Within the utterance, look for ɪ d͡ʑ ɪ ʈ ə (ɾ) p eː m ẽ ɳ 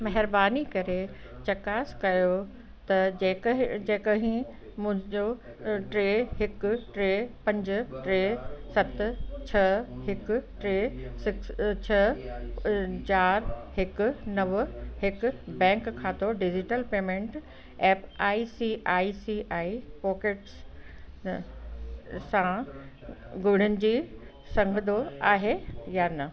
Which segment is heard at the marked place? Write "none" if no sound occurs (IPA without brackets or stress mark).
l